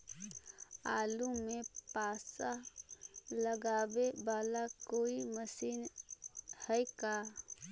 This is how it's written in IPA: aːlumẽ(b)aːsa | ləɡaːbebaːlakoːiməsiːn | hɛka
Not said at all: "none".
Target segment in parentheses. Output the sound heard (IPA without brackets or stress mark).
p